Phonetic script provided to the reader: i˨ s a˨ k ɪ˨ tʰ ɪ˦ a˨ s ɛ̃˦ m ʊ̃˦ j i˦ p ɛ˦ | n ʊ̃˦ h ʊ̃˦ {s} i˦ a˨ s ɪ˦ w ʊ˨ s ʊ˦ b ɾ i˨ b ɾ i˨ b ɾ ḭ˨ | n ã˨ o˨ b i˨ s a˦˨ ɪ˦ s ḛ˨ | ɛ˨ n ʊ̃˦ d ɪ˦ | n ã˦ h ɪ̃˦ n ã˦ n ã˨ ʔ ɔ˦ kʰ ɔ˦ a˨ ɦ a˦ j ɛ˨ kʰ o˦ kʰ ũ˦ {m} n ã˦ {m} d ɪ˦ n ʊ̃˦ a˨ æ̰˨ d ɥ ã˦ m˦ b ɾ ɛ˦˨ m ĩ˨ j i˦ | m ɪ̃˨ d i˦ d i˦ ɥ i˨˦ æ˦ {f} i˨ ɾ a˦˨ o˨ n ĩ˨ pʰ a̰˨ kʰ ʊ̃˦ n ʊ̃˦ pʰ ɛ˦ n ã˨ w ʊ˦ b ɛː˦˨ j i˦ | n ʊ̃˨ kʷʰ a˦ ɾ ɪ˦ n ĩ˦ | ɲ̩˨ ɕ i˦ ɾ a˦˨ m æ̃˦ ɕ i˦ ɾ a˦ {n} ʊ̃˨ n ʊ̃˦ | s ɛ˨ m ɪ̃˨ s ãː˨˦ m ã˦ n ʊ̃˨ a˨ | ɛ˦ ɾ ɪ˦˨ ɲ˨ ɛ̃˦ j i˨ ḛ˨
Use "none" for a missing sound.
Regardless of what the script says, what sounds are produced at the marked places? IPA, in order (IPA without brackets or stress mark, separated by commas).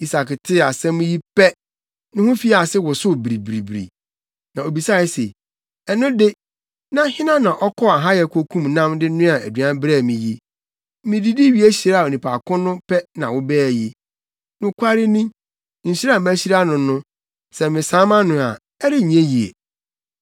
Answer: f, m, m, ɕ, n